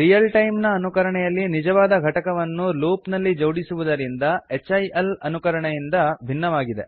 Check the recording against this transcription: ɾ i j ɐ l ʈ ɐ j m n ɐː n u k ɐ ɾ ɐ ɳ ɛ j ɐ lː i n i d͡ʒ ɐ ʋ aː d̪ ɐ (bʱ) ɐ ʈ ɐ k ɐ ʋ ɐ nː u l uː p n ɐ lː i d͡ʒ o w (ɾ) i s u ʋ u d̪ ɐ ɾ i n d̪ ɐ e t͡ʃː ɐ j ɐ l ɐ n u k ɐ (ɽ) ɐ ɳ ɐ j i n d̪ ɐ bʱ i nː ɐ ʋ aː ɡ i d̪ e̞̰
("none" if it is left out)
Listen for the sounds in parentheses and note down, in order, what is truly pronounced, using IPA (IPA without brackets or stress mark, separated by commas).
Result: ɡʱ, ɽ, ɾ